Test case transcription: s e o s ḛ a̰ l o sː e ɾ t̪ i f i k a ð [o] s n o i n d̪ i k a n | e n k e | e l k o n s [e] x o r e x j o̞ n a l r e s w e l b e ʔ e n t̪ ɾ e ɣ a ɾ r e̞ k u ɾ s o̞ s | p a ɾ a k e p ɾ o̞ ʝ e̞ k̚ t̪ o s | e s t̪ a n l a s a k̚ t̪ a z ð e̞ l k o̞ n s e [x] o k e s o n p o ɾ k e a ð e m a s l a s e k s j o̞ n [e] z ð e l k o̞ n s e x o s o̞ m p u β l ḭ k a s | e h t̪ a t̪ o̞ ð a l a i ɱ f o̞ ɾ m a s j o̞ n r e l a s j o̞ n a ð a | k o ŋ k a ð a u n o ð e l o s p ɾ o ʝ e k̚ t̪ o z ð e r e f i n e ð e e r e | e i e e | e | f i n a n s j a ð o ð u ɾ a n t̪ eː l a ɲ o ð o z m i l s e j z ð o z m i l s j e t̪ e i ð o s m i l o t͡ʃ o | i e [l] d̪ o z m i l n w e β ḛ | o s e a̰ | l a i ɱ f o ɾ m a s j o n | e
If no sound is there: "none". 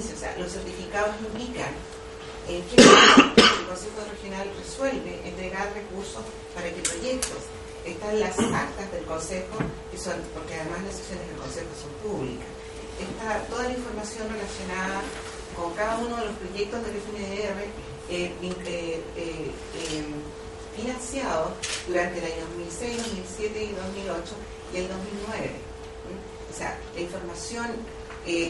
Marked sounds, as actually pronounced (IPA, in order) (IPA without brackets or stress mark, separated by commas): o, e, x, e, l